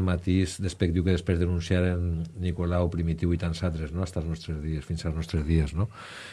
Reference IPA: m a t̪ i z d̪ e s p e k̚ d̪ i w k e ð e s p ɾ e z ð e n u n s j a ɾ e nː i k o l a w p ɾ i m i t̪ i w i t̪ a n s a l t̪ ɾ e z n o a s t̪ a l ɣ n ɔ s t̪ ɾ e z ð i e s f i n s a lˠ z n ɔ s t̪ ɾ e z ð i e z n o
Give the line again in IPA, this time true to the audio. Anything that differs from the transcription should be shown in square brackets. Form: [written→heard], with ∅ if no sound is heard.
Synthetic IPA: m a t̪ i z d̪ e s p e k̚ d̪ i w k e ð e s p ɾ e z ð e n u n s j a ɾ e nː i k o l a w p ɾ i m i t̪ i w i t̪ a n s a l t̪ ɾ e z n o a s t̪ a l [ɣ→z] n ɔ s t̪ ɾ e z ð i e s f i n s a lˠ z n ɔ s t̪ ɾ e z ð i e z n o